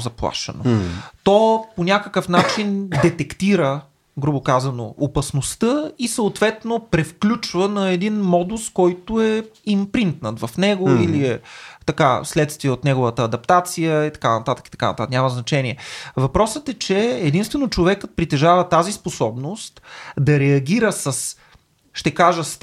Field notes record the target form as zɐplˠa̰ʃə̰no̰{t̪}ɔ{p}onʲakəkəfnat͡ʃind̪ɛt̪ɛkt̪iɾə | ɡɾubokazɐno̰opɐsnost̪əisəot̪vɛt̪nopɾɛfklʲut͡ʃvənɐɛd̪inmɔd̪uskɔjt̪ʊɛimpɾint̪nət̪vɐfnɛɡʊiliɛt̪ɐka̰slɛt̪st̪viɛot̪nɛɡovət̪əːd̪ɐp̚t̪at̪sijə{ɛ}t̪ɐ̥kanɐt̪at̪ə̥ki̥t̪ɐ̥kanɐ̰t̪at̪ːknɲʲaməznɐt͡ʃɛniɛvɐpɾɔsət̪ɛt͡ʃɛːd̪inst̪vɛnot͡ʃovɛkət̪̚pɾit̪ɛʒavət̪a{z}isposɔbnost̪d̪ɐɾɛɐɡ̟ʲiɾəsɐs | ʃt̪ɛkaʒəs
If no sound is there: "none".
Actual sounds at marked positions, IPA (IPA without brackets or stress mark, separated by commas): t̪, p, i, z